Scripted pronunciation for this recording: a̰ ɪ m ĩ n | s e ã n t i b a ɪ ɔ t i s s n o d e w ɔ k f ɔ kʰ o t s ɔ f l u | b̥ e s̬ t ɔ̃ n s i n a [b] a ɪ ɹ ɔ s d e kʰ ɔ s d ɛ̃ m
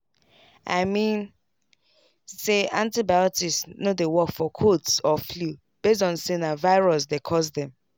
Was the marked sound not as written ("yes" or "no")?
yes